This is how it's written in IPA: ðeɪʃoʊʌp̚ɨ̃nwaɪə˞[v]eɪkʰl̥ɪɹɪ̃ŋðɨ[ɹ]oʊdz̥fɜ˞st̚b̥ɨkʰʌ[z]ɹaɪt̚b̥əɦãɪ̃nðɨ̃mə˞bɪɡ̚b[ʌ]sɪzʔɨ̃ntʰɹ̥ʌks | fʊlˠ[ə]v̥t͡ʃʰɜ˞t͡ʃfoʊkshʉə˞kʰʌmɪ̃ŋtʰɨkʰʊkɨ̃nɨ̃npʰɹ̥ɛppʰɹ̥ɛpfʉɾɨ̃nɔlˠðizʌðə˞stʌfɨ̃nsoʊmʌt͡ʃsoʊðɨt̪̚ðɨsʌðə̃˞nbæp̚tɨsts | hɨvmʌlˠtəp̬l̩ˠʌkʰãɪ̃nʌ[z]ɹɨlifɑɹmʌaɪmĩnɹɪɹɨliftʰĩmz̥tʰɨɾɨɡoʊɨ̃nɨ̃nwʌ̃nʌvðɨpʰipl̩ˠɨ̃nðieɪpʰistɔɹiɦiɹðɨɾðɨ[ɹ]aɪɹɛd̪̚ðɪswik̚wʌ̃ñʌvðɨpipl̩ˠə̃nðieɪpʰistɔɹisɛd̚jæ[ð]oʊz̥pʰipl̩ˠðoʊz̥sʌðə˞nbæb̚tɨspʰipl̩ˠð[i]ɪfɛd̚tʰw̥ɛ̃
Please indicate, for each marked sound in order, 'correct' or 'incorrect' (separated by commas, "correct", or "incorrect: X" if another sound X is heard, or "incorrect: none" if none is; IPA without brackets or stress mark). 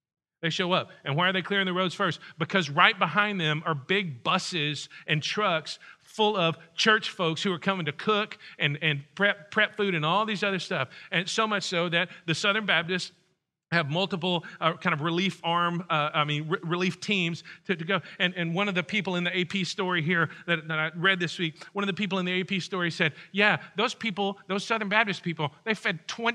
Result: incorrect: ð, correct, correct, correct, incorrect: ʌ, incorrect: v, incorrect: ɾ, correct, incorrect: e